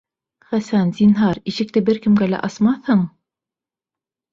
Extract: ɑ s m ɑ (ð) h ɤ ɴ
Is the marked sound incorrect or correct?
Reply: incorrect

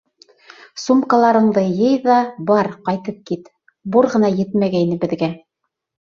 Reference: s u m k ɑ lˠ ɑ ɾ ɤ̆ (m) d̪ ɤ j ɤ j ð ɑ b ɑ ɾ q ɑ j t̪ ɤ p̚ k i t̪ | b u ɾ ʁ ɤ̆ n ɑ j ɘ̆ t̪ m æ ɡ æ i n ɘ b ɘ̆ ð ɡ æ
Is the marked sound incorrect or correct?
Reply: incorrect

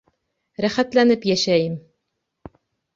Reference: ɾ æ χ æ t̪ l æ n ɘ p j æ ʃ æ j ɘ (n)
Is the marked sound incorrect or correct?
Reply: incorrect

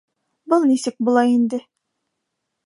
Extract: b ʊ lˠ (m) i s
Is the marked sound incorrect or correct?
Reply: incorrect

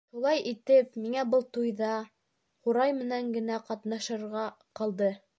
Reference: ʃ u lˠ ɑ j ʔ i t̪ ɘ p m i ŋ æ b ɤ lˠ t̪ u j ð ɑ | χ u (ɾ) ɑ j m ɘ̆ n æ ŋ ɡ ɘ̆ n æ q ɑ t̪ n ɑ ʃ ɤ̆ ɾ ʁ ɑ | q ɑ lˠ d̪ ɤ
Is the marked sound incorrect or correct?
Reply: correct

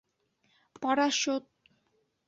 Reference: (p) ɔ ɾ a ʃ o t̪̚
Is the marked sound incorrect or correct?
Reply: correct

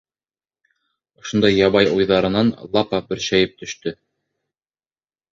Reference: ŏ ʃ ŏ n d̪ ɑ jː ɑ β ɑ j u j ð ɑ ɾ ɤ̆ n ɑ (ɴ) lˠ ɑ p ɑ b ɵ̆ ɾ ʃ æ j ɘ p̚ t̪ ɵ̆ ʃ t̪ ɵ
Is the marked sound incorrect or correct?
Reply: incorrect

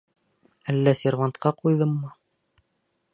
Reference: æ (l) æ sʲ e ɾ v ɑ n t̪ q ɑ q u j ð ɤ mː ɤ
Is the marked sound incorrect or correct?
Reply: incorrect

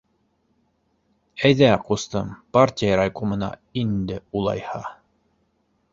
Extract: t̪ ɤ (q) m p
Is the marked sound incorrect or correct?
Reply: incorrect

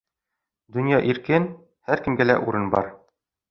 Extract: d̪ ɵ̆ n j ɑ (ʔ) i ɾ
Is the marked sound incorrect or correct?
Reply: correct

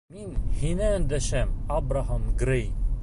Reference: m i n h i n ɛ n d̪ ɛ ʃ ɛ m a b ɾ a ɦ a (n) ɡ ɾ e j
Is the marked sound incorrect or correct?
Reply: incorrect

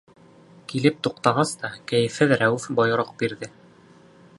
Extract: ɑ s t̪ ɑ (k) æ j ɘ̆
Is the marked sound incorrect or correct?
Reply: correct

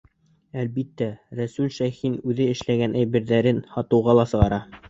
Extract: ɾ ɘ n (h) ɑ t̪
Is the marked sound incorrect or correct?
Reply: correct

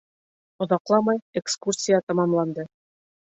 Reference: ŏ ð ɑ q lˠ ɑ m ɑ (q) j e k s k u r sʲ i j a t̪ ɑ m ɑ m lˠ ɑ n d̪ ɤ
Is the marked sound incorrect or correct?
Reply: incorrect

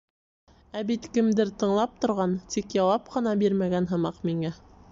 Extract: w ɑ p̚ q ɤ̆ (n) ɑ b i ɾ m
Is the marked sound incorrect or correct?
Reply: correct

